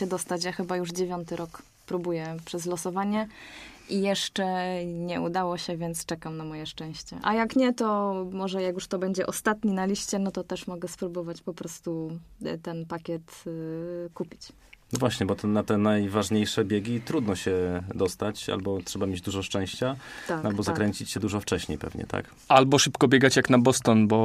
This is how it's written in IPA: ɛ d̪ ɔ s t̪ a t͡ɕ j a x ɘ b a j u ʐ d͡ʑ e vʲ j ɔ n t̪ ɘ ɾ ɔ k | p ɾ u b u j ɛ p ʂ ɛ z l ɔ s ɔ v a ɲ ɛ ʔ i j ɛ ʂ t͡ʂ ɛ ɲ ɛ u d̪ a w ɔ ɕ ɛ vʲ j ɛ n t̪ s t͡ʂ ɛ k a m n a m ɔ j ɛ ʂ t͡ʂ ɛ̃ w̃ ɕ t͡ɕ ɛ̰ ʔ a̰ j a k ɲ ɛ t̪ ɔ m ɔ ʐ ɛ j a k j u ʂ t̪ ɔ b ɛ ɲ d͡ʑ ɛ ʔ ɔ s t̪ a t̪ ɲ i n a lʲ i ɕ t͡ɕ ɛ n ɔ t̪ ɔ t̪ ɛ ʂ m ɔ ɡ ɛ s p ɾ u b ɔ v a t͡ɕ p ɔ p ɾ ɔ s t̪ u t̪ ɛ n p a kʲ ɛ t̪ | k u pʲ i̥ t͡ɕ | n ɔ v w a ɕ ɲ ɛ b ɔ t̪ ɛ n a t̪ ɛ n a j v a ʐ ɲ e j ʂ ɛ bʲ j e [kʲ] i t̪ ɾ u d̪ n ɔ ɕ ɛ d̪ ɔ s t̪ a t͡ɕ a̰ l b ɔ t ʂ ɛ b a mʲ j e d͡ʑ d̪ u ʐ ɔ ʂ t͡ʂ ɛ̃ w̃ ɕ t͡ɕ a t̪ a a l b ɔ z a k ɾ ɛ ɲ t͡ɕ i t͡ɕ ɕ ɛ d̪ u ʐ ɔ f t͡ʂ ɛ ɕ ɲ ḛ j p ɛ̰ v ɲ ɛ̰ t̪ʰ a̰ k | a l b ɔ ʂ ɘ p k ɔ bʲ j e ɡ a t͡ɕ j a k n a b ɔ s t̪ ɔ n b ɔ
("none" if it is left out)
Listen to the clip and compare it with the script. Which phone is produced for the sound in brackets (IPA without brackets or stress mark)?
ɡʲ